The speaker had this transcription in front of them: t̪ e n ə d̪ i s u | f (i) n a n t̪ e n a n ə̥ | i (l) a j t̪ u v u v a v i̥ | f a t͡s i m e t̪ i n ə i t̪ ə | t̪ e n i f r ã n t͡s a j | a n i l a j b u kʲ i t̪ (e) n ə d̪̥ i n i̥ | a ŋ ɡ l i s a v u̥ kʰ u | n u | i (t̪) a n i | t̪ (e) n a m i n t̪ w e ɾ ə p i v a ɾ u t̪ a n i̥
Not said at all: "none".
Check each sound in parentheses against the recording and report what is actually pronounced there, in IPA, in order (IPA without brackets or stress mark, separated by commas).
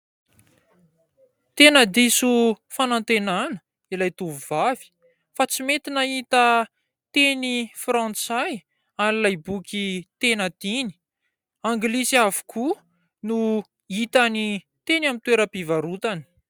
a, l, e, t̪, e